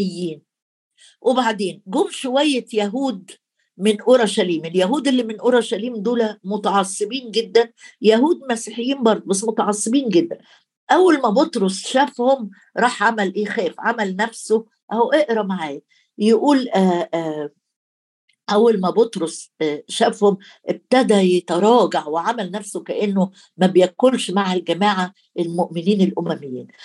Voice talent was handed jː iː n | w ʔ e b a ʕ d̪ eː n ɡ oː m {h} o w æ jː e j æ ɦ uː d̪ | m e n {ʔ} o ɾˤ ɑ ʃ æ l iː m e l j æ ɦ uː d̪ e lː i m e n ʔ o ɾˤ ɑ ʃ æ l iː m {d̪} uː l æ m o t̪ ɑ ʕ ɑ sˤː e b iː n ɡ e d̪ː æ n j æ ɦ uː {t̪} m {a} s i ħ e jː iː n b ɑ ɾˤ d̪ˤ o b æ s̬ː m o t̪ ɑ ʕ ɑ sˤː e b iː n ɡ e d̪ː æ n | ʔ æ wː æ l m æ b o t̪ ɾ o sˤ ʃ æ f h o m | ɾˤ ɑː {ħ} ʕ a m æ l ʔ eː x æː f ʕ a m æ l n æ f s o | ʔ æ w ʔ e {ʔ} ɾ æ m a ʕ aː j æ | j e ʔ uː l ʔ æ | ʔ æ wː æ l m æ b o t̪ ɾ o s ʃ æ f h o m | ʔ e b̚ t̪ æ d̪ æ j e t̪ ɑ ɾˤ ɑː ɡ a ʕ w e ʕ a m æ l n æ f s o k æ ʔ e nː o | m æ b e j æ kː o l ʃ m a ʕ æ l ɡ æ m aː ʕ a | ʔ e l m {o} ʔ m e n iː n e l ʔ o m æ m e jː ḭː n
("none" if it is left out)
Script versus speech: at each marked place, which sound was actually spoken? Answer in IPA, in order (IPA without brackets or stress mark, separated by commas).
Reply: ʃ, ʔ, d̪, d̪, æ, ħ, ʔ, o